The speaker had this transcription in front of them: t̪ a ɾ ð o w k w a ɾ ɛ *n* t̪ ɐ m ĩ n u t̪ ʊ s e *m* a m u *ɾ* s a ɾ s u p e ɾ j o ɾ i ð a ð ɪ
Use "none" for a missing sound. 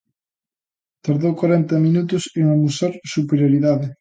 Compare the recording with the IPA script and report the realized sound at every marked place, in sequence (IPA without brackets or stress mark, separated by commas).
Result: n, ŋ, none